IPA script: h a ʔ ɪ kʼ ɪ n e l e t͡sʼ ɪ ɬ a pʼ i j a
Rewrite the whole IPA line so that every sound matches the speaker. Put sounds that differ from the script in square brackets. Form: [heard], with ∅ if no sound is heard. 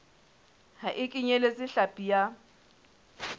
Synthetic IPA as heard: h a ʔ ɪ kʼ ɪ [ɲ] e l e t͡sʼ ɪ ɬ a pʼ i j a